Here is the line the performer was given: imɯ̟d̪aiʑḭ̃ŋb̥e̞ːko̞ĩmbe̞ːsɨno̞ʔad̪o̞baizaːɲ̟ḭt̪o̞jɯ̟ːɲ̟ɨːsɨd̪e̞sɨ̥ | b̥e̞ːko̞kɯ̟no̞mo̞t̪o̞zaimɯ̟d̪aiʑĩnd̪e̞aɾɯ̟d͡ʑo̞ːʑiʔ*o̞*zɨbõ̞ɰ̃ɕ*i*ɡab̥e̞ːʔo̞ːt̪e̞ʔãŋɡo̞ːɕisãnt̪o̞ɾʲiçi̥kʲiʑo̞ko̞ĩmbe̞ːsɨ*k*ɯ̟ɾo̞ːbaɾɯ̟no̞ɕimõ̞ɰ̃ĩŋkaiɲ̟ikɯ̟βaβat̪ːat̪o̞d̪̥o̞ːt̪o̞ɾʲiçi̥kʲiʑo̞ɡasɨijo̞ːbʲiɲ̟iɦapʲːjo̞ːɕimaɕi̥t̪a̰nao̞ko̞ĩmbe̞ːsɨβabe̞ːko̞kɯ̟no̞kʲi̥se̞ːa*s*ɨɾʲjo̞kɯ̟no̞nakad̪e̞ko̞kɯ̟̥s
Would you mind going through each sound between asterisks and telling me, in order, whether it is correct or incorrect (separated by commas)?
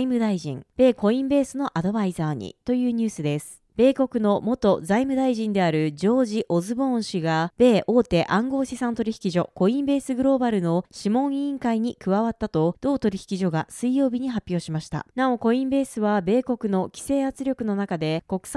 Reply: correct, correct, incorrect, incorrect